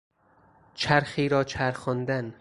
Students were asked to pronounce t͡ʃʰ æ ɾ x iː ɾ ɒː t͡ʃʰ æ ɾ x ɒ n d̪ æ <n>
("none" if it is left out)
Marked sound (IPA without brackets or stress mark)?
n